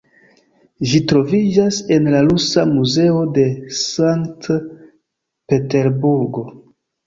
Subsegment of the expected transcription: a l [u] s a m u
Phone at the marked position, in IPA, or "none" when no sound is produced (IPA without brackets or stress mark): u